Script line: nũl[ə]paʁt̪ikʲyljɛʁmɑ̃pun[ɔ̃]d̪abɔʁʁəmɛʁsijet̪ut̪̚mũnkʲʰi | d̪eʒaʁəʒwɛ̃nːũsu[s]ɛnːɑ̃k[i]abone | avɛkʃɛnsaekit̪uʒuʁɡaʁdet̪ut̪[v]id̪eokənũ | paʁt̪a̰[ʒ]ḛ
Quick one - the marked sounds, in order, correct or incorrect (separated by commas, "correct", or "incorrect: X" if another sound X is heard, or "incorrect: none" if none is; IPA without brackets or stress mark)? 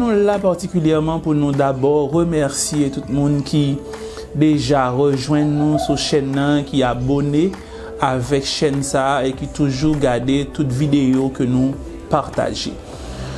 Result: incorrect: a, incorrect: ũ, incorrect: ʃ, correct, correct, correct